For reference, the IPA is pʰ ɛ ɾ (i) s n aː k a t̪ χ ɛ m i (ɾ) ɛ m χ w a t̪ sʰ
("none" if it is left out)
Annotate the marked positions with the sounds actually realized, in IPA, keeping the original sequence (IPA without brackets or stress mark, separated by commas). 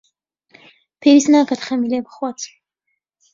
i, l